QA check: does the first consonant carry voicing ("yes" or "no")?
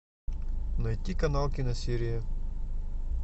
yes